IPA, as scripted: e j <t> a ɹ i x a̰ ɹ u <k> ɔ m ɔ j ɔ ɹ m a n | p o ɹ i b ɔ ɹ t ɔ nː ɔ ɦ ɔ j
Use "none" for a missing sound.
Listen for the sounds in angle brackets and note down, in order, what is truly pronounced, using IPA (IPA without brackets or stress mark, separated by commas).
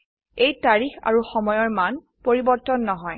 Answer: t, x